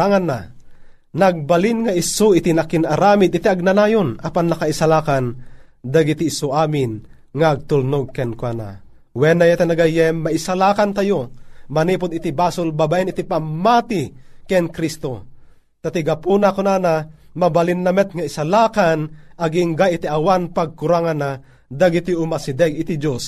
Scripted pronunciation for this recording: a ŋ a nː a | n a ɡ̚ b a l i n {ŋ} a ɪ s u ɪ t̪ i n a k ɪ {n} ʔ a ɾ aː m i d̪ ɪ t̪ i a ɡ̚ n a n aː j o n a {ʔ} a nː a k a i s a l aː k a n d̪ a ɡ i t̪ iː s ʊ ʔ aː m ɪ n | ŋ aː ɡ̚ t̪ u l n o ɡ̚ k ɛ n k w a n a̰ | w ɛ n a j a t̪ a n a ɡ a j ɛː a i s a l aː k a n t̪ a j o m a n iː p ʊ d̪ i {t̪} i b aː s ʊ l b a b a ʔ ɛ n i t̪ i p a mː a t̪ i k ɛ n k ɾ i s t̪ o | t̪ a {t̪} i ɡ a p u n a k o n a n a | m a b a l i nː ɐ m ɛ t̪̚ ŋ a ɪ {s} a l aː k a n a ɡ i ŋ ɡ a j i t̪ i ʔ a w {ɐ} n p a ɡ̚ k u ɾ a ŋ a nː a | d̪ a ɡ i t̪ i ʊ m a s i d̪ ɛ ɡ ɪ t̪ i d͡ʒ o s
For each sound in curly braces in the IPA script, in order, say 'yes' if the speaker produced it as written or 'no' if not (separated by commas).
yes, yes, no, yes, yes, yes, no